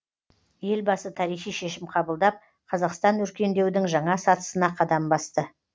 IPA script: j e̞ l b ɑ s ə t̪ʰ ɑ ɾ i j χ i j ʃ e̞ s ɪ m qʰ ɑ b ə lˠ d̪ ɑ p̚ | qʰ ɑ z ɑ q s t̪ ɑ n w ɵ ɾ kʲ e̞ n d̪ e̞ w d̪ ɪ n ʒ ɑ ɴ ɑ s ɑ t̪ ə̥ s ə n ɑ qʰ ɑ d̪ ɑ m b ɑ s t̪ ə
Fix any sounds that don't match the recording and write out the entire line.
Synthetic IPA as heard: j e̞ l b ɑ s ə t̪ʰ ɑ ɾ i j χ i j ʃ e̞ ʃ ɪ m qʰ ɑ b ə lˠ d̪ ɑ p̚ | qʰ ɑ z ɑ q s t̪ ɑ n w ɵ ɾ kʲ e̞ n d̪ e̞ w d̪ ɪ ŋ ʒ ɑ ɴ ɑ s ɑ t̪ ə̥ s ə n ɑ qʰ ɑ d̪ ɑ m b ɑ s t̪ ə